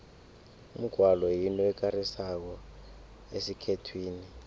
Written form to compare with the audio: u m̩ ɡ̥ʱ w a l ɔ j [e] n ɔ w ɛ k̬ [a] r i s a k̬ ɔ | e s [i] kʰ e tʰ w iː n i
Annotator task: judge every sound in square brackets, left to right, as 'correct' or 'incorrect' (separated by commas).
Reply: incorrect, correct, correct